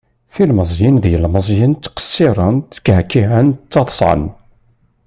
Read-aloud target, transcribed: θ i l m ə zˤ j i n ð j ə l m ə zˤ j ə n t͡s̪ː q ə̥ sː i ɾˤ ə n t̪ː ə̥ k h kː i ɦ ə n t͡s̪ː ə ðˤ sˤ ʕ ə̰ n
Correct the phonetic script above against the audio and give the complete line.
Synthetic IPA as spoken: θ i l m ə zˤ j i n ð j ə l m ə zˤ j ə n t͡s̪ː q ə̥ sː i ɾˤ ə n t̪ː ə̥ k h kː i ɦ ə n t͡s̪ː ɑ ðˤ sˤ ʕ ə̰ n